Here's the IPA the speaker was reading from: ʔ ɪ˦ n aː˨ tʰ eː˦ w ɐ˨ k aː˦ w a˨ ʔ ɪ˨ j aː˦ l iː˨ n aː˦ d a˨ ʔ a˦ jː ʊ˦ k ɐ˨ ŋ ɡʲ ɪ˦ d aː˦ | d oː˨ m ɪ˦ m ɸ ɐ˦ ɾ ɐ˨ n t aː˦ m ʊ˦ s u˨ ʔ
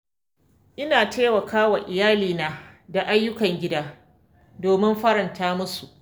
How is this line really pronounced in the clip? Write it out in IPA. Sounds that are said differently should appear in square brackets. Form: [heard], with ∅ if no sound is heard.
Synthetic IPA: ʔ ɪ˦ n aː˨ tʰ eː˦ w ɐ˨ k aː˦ w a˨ ʔ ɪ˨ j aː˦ l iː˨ n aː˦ d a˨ ʔ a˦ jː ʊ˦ k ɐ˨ ŋ ɡʲ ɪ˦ d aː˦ | d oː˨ m ɪ˦ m ɸ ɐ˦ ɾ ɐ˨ n t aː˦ m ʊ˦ s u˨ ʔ

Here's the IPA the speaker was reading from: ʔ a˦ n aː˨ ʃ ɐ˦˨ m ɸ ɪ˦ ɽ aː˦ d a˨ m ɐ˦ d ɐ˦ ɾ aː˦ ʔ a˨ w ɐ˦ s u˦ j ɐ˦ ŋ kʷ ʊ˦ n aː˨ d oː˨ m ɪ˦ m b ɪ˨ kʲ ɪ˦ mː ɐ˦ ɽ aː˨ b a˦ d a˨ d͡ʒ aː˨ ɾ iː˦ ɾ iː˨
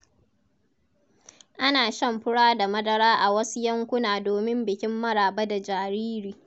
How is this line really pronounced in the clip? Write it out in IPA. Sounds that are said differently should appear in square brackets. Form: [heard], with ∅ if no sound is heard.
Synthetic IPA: ʔ a˦ n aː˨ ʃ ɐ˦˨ m ɸ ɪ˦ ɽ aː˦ d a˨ m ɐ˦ d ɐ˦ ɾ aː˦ ʔ a˨ w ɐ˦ s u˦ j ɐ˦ ŋ kʷ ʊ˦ n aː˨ d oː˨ m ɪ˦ m b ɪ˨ kʲ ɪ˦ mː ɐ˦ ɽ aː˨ b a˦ d a˨ d͡ʒ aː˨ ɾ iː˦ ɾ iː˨

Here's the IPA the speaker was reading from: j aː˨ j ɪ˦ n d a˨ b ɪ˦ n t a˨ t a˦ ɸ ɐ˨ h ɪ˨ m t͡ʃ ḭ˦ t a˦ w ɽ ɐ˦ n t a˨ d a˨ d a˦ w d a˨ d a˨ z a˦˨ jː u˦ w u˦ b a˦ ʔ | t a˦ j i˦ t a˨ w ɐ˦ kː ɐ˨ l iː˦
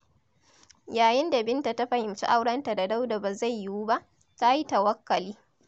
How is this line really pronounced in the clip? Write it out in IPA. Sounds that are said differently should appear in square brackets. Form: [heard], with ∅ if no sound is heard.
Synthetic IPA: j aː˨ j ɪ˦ n d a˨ b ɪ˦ n t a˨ t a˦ ɸ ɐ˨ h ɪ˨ m t͡ʃ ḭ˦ [ʔ] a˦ w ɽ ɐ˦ n t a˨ d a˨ d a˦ w d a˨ [b] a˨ z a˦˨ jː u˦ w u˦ b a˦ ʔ | t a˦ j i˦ t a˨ w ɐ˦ kː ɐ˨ l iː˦

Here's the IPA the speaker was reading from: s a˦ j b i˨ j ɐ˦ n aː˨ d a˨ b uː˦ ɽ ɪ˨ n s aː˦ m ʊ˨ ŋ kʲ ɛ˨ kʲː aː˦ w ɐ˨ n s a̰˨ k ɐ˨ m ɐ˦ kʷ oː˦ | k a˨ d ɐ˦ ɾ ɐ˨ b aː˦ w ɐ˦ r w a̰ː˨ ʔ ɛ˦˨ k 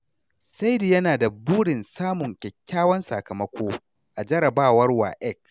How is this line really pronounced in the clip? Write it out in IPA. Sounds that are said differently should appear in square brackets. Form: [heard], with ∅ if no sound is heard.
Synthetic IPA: s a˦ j [d] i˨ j ɐ˦ n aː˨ d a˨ b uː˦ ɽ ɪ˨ n s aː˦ m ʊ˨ ŋ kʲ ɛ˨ kʲː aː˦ w [ɐ˦] n s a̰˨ k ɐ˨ m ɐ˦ kʷ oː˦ | [ʔ] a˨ [d͡ʒ] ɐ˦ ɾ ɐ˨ b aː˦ w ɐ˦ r w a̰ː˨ ʔ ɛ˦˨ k

